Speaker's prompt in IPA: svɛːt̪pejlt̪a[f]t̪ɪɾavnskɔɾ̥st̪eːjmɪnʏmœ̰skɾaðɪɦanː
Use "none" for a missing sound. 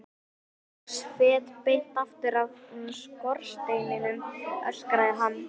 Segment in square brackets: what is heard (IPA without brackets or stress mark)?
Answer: f